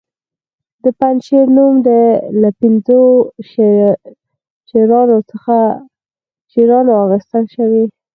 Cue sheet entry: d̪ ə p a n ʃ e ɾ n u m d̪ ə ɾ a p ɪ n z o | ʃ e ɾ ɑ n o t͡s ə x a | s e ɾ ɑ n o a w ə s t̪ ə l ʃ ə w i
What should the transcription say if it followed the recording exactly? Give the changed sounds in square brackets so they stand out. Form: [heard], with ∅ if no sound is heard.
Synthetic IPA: d̪ ə p a n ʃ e ɾ n u m d̪ ə [l] a p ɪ n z o | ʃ e ɾ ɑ n o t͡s ə x a | [ʃ] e ɾ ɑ n o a [ɣ] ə s t̪ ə l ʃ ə w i